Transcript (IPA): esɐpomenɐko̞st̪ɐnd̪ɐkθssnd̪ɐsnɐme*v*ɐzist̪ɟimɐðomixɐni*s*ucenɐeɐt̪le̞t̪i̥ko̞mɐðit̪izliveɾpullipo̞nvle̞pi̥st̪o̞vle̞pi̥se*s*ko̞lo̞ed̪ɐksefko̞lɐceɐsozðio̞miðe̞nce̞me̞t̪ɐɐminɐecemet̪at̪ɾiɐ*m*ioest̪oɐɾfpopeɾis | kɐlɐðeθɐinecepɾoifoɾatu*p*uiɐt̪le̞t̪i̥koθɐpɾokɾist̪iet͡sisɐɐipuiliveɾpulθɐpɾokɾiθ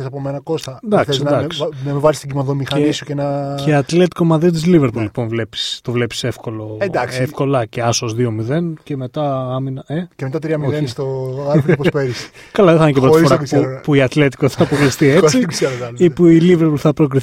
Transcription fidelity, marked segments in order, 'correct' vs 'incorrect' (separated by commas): correct, correct, incorrect, correct, correct